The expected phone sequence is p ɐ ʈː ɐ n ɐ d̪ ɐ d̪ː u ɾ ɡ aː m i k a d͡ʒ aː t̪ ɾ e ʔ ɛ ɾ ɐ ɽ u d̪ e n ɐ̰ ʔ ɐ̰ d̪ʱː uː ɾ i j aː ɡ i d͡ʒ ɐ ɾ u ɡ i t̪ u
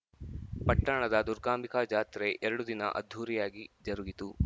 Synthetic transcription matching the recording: p ɐ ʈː ɐ ɳ ɐ d̪ ɐ d̪ u ɾ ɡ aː m i k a d͡ʒ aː t̪ ɾ e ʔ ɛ ɾ ɐ ɽ u d̪ i n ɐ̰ ʔ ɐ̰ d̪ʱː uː ɾ i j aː ɡ i d͡ʒ ɐ ɾ u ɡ i t̪ u